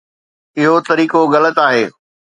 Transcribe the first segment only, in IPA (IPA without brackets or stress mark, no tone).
ɪ